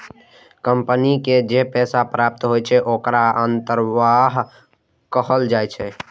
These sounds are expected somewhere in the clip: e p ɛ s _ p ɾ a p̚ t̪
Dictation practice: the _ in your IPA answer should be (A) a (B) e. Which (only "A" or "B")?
A